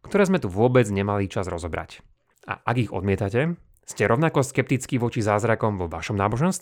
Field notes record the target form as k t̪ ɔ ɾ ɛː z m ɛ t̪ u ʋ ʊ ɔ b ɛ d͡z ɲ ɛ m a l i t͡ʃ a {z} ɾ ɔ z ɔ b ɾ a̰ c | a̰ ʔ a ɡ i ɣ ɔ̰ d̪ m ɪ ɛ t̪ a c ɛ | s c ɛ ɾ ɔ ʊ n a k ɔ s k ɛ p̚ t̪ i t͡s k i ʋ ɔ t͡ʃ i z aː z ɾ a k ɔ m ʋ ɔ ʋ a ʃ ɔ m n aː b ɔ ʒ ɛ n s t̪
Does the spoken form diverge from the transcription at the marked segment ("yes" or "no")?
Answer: no